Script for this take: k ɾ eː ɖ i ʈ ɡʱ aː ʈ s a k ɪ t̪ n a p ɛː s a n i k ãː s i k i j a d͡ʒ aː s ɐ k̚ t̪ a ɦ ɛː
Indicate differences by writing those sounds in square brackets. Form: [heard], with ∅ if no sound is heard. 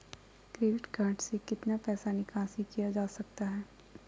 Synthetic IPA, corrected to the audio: k ɾ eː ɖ [ɪ] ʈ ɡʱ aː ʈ s [e] k ɪ t̪ n a p ɛː s a n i k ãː s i k i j a d͡ʒ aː s ɐ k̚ t̪ a ɦ ɛː